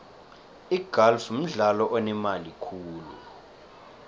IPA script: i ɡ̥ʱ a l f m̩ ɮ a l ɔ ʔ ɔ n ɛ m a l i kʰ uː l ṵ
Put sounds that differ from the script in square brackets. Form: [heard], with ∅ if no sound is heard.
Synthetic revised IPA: i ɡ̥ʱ a l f m̩ ɮ a l ɔ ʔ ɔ n ɛ m a l i kʰ uː l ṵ